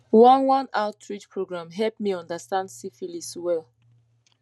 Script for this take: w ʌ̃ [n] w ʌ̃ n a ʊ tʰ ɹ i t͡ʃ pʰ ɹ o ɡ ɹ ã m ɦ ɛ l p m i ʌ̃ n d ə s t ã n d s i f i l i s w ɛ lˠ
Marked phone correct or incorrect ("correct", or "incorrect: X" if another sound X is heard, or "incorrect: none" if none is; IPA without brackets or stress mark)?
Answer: correct